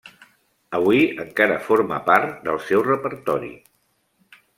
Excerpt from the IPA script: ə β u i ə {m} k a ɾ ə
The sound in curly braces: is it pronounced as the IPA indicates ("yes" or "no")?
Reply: no